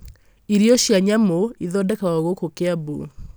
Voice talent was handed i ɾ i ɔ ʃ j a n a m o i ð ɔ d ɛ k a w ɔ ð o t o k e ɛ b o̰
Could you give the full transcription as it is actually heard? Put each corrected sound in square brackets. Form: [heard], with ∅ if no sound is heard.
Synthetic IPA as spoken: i ɾ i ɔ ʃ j a [ɲ] a m o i ð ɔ d ɛ k a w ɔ [ɣ] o [k] o k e [a] b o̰